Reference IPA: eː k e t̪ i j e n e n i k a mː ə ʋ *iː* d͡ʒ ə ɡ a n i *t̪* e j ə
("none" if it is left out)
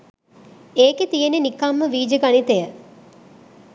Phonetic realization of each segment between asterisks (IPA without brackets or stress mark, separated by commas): iː, t̪